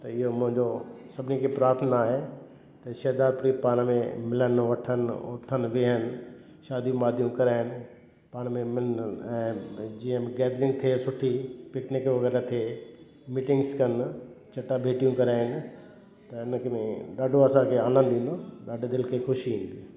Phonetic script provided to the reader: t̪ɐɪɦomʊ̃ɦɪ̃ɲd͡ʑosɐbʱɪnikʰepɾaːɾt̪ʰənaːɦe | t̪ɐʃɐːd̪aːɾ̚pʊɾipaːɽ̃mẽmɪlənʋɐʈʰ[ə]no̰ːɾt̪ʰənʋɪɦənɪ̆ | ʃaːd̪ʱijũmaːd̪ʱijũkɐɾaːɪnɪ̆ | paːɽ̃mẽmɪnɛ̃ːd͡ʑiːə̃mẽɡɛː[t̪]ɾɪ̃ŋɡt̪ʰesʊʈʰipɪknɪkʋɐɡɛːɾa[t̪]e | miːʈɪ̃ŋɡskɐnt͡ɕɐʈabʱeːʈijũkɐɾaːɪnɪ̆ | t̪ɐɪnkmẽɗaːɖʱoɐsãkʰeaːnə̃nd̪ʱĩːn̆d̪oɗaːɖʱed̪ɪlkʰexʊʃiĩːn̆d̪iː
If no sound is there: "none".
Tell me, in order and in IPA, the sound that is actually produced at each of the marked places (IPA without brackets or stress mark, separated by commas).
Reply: ə, d̪, t̪ʰ